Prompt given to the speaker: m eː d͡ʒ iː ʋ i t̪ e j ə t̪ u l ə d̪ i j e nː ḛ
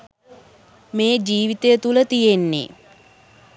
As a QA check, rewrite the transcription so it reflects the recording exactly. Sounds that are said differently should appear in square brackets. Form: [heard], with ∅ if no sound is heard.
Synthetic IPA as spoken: m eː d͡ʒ iː ʋ i t̪ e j ə t̪ u l ə [t̪] i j e nː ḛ